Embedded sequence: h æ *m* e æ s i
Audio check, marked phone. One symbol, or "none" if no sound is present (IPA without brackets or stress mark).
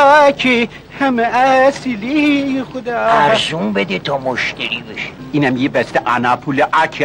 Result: m